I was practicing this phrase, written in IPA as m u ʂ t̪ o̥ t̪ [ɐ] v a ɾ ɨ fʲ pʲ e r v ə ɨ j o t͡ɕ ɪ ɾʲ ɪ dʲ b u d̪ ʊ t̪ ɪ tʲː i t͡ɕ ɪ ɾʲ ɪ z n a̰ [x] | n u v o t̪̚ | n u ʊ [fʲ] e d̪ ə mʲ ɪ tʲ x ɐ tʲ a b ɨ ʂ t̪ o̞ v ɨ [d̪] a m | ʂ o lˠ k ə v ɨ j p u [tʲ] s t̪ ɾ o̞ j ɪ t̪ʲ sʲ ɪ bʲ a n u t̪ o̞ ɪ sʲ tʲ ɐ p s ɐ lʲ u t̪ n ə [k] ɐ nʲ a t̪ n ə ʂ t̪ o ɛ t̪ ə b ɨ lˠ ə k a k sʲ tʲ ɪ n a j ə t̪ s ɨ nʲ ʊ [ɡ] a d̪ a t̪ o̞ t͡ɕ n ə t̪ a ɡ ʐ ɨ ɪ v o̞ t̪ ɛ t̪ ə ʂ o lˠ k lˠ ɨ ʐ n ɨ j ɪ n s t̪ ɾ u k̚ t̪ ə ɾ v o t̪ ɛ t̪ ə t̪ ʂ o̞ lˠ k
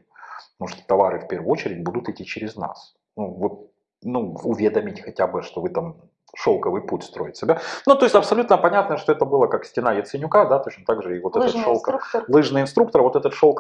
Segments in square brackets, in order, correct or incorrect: correct, incorrect: s, incorrect: vʲ, incorrect: t̪, correct, incorrect: p, incorrect: k

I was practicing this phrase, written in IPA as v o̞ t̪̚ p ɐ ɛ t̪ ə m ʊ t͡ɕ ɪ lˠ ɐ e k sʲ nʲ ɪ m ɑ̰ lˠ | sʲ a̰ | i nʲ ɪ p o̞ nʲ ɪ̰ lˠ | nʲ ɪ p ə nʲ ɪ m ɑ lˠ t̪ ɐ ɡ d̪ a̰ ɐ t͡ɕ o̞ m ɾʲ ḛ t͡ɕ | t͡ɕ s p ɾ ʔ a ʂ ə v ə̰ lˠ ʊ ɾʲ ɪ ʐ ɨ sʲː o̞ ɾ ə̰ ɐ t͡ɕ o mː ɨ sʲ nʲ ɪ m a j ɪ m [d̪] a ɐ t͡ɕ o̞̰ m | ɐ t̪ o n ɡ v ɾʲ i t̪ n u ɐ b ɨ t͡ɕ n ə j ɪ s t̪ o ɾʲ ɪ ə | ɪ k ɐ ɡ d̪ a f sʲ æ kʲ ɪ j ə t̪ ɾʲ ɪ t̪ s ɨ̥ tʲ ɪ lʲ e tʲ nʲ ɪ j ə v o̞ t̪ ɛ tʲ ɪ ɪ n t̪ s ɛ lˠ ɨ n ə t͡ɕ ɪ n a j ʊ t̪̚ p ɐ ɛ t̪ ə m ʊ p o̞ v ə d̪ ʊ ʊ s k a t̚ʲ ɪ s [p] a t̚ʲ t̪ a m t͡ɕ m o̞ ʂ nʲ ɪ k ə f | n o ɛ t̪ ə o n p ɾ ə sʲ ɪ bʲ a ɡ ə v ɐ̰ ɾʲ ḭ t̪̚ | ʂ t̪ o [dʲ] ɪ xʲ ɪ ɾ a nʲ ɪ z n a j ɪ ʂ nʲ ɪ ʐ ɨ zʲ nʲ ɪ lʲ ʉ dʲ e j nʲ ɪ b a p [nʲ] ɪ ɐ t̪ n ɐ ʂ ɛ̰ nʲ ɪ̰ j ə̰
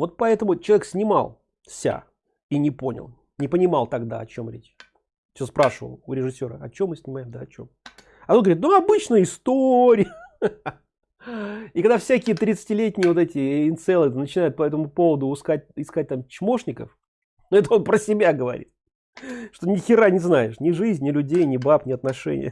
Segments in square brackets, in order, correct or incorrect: correct, incorrect: k, incorrect: nʲ, correct

